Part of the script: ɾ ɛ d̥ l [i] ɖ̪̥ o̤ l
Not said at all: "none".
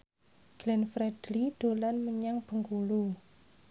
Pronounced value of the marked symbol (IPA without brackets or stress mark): i